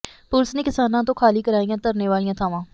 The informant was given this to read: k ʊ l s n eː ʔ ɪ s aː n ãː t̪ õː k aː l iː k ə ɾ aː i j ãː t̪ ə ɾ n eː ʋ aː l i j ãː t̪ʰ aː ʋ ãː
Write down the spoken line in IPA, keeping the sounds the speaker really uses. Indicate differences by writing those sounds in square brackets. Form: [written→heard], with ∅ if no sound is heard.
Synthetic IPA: [k→p] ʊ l s n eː [ʔ→k] ɪ s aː n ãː t̪ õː [k→kʰ] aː l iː k ə ɾ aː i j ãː t̪ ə ɾ n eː ʋ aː l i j ãː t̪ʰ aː ʋ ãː